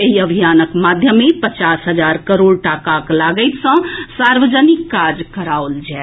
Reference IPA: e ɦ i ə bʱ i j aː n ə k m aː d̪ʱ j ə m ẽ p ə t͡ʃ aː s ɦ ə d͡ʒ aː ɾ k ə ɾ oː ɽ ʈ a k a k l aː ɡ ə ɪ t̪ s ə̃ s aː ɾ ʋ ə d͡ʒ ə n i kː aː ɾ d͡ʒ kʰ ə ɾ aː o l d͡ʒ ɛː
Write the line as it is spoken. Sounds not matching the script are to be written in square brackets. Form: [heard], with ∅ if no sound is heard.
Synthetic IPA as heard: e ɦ i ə bʱ i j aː n ə k m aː d̪ʱ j ə m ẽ p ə t͡ʃ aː s ɦ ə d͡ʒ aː ɾ k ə ɾ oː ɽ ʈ a k a k l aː ɡ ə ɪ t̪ s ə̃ s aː ɾ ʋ ə d͡ʒ ə n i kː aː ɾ d͡ʒ [k] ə ɾ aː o l d͡ʒ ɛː